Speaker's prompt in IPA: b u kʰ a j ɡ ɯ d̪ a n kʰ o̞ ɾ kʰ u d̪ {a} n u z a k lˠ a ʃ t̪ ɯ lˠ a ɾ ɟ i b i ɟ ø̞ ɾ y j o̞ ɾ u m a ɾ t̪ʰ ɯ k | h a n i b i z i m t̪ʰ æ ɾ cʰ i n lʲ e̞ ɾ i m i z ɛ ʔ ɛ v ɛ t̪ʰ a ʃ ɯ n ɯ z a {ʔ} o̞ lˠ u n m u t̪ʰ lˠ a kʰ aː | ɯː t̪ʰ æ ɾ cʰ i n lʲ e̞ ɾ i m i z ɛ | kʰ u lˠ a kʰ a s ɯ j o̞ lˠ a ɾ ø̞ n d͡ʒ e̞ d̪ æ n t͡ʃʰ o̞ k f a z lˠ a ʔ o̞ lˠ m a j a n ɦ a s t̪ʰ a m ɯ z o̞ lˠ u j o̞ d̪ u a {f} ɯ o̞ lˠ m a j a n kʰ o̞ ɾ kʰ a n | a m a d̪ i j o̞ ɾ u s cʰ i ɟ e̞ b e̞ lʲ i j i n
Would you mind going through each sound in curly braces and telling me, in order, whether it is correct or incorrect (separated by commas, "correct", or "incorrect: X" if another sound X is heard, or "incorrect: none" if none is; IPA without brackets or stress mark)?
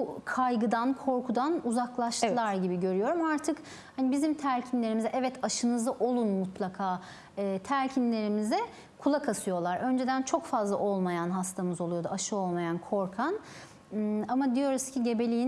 correct, correct, incorrect: ʃ